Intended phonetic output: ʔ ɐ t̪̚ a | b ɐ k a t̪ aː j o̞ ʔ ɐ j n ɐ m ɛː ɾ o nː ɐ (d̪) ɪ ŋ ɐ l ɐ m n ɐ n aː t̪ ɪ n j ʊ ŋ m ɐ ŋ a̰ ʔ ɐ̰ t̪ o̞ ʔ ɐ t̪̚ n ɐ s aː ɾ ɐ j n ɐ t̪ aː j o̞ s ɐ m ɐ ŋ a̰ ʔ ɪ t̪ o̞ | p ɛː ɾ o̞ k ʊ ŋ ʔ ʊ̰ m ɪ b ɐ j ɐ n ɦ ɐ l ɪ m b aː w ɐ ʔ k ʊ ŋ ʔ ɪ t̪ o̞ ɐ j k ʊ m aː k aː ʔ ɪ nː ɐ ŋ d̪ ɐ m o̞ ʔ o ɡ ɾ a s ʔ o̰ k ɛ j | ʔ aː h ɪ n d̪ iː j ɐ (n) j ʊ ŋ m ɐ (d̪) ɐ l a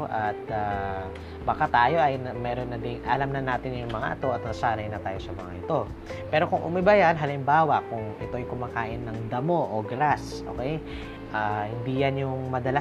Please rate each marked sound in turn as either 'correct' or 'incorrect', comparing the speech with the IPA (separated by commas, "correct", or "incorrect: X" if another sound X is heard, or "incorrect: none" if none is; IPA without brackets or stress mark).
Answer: correct, correct, correct